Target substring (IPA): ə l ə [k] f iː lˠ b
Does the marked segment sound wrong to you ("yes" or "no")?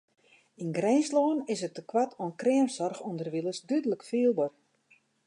no